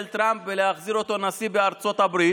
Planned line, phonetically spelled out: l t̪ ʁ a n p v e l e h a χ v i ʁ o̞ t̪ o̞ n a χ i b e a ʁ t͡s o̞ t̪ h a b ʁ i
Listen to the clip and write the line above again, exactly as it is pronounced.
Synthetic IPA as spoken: l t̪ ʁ a m p v e l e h a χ z i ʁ o̞ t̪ o̞ n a s i b e a ʁ t͡s o̞ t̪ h a b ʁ i

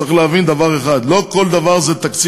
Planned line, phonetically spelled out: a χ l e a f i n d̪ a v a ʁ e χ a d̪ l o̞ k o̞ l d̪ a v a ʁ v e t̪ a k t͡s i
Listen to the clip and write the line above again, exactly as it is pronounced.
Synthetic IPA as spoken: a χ l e a v i n d̪ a v a ʁ e χ a d̪ l o̞ k o̞ l d̪ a v a ʁ z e t̪ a k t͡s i

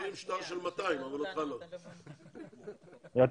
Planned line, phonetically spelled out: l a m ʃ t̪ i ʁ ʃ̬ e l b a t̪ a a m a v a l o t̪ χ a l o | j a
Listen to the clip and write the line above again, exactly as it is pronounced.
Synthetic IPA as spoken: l i m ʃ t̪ a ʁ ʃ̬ e l m a t̪ a i m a v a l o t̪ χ a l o | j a

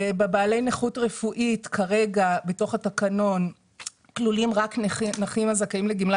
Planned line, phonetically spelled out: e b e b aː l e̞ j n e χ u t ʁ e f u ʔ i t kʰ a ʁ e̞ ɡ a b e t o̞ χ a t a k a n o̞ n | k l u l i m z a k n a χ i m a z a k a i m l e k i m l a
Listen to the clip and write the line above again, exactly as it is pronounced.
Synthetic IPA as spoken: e b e b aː l e̞ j n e χ u t ʁ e f u ʔ i t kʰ a ʁ e̞ ɡ a b e t o̞ χ a t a k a n o̞ n | k l u l i m ʁ a k n a χ i m a z a k a i m l e ɡ i m l a

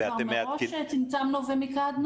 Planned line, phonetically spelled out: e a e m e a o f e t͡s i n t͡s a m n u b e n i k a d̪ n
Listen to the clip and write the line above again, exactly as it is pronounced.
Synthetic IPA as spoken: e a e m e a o ʃ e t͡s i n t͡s a m n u v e m i k a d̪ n

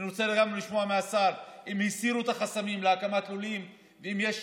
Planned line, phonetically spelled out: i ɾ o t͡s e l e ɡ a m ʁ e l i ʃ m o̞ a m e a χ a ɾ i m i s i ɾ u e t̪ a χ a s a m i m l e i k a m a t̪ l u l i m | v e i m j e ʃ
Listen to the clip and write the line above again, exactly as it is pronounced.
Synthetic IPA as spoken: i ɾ o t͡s e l e ɡ a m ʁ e l i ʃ m o̞ a m e a s a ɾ i m i s i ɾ u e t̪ a χ a s a m i m l e a k a m a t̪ l u l i m | v e i m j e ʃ

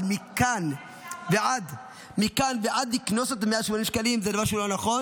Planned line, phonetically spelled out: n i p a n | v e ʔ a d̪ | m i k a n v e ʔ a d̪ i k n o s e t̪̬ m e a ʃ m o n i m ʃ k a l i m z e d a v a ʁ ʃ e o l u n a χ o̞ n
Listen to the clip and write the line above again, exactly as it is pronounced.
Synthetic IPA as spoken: m i k a n | v e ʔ a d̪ | m i k a n v e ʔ a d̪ i k n o s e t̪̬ m e a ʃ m o n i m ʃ k a l i m z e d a v a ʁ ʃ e u l o n a χ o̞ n

